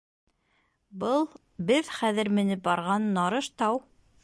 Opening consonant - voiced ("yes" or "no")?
yes